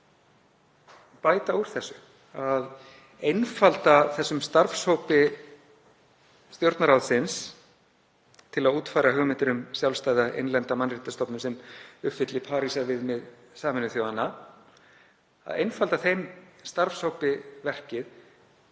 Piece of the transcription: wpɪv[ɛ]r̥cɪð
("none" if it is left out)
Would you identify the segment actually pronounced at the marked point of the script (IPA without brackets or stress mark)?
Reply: ɛ